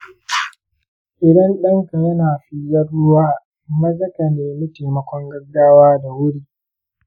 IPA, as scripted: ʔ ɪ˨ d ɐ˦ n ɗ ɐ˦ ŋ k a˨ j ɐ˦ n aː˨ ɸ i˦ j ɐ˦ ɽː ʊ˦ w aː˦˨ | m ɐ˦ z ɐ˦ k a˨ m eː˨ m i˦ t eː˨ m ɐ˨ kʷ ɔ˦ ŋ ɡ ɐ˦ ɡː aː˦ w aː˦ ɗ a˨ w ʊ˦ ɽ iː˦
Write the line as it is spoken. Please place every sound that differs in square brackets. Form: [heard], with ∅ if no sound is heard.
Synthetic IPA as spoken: ʔ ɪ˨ d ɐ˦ n ɗ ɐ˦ ŋ k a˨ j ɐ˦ n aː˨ ɸ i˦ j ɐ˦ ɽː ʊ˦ w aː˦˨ | m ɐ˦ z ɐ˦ k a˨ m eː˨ m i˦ t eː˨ m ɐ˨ kʷ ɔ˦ ŋ ɡ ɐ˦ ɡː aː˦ w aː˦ [d] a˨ w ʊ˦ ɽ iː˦

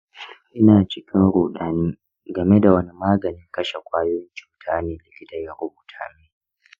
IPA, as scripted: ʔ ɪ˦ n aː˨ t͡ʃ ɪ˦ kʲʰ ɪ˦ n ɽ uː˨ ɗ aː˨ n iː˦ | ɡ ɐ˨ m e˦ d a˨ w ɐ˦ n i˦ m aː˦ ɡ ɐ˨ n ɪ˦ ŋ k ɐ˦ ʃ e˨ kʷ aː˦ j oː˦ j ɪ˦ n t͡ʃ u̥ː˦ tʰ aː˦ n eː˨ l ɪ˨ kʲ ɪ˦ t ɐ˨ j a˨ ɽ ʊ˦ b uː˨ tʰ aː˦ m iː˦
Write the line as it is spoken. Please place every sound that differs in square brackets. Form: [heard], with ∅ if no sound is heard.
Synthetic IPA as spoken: ʔ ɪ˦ n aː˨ t͡ʃ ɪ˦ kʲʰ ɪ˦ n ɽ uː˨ ɗ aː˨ n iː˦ | ɡ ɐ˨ m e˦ d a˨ w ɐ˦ n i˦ m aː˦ ɡ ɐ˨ n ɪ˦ ŋ k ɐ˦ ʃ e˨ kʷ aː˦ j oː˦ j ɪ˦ n t͡ʃ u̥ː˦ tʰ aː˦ n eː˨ l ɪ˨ kʲ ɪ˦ t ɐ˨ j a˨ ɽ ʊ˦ b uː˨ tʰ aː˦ m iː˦

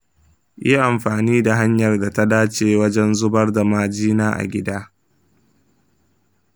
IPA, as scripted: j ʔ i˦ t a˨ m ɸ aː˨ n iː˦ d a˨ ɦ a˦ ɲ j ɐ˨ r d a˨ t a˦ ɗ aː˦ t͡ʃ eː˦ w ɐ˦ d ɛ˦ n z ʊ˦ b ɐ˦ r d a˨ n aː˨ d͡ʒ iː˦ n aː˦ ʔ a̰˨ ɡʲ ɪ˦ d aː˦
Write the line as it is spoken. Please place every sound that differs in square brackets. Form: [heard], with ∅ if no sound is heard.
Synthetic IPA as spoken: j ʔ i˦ [ʔ] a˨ m ɸ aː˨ n iː˦ d a˨ ɦ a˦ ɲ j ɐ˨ r d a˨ t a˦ [d] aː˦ t͡ʃ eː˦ w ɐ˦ [d͡ʒ] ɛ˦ n z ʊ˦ b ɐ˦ r d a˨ [m] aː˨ d͡ʒ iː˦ n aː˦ ʔ a̰˨ ɡʲ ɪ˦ d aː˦

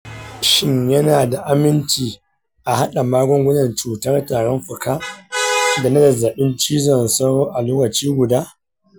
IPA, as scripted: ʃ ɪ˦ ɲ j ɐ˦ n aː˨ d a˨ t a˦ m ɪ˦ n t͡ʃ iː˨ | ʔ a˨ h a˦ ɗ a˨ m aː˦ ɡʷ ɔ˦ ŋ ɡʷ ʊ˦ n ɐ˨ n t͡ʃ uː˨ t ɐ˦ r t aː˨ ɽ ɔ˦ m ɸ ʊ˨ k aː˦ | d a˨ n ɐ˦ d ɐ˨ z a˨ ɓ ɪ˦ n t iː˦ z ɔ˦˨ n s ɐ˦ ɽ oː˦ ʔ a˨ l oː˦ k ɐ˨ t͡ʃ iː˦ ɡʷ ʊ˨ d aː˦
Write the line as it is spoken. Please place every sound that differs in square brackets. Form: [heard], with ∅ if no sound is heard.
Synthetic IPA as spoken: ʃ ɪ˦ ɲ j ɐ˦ n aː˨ d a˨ [ʔ] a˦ m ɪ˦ n t͡ʃ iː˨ | ʔ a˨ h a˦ ɗ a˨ m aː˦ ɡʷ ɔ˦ ŋ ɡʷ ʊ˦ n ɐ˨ n t͡ʃ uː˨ t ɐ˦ r t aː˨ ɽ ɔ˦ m ɸ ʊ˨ k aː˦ | d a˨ n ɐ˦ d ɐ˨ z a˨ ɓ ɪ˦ n [t͡ʃ] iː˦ z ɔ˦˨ n s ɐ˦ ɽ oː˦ ʔ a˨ l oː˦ k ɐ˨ t͡ʃ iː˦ ɡʷ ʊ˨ d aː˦

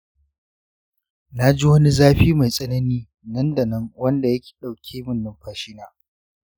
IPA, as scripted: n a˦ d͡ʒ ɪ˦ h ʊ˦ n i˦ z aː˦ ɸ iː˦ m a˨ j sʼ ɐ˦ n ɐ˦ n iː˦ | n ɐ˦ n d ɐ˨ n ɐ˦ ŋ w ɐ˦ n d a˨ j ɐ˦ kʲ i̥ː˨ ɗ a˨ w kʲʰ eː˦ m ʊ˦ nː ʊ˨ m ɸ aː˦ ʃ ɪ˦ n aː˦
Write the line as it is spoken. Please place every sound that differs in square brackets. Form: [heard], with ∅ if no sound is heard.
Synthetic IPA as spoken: n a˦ d͡ʒ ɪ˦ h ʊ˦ n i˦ z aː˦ ɸ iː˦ m a˨ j sʼ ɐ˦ n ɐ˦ n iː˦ | n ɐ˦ n d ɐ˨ n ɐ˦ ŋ w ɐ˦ n d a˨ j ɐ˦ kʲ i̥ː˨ ɗ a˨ w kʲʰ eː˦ m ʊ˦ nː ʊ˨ m ɸ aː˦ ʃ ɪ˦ n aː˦

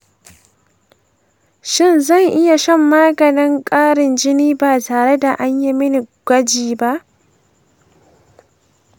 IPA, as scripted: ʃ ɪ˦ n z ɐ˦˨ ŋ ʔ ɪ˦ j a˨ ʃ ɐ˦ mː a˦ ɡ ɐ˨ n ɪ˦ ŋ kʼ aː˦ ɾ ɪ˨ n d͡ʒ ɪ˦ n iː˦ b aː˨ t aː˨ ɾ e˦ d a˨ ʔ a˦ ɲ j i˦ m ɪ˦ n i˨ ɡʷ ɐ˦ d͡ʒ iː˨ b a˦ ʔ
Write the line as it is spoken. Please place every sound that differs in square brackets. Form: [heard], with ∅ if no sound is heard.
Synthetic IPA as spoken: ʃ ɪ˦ n z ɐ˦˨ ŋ ʔ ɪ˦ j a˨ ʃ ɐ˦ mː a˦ ɡ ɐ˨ n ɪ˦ ŋ kʼ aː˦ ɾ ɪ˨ n d͡ʒ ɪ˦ n iː˦ b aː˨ t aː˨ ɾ e˦ d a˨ ʔ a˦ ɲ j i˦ m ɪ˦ n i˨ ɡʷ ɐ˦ d͡ʒ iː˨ b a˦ ʔ

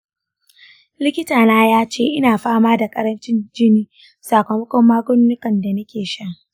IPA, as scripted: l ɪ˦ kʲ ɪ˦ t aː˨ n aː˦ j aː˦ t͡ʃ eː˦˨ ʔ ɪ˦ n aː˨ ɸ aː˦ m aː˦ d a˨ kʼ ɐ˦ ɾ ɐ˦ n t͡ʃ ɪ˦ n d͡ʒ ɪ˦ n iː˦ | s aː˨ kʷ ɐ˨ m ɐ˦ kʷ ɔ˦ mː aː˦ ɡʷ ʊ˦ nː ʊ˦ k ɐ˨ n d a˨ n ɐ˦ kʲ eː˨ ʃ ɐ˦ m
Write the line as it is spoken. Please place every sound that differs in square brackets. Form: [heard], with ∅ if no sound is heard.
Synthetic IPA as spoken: l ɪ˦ kʲ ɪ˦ t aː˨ n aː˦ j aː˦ t͡ʃ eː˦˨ ʔ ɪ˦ n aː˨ ɸ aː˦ m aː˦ d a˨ kʼ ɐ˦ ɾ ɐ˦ n t͡ʃ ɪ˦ n d͡ʒ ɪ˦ n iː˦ | s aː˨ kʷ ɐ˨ m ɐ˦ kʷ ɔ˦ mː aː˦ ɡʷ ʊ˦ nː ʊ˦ k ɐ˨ n d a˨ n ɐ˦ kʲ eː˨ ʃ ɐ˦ [ŋ]

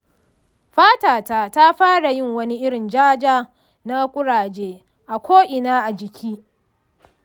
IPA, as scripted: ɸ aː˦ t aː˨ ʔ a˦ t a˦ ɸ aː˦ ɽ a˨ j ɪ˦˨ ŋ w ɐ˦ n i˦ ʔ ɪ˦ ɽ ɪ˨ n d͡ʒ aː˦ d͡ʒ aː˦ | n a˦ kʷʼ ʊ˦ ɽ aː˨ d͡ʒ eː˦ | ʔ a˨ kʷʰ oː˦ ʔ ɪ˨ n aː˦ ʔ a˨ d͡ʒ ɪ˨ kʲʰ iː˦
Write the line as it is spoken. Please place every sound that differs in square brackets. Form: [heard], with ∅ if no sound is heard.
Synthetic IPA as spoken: ɸ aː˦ t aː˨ [t] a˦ t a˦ ɸ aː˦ ɽ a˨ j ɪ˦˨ ŋ w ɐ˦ n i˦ ʔ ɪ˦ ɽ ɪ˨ n d͡ʒ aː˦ d͡ʒ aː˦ | n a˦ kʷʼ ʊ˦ ɽ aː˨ d͡ʒ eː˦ | ʔ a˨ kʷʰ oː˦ ʔ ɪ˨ n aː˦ ʔ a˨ d͡ʒ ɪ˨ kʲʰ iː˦

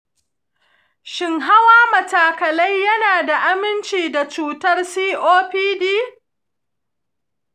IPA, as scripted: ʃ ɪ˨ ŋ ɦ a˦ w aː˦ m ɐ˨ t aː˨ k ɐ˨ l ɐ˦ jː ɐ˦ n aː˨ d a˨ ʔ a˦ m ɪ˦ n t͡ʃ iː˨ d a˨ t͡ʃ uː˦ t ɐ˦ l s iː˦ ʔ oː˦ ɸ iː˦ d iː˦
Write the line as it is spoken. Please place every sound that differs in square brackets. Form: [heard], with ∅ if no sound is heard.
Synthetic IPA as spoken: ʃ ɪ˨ ŋ ɦ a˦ w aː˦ m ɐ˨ t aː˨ k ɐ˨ l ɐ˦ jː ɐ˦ n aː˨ d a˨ ʔ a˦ m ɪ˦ n t͡ʃ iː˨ d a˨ t͡ʃ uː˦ t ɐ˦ [r] s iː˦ ʔ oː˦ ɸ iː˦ d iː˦

